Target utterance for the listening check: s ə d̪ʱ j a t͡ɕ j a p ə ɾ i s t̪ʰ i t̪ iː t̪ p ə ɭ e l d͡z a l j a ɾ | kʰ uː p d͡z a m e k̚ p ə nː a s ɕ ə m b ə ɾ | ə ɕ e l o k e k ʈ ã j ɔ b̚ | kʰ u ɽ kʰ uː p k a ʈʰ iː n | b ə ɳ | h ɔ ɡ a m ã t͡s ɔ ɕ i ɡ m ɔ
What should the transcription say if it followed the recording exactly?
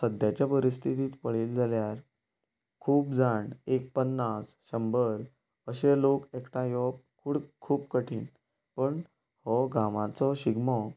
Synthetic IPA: s ə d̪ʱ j a t͡ɕ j a p ə ɾ i s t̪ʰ i t̪ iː t̪ p ə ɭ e l d͡z a l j a ɾ | kʰ uː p d͡z a ɳ e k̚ p ə nː a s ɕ ə m b ə ɾ | ə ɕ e l o k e k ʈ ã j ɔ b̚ | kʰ u ɽ kʰ uː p k ə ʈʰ iː n | p ə ɳ | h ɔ ɡ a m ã t͡s ɔ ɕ i ɡ m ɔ